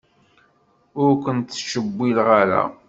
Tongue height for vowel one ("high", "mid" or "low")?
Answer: high